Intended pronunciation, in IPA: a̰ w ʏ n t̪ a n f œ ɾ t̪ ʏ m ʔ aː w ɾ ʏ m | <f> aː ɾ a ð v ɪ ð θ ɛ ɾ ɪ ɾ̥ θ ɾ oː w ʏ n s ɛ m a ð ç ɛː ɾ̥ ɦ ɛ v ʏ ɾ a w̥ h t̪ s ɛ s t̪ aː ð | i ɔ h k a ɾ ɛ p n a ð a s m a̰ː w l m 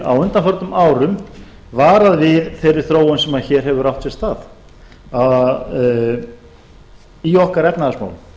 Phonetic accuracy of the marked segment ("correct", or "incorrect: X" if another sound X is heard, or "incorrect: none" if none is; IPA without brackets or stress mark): incorrect: v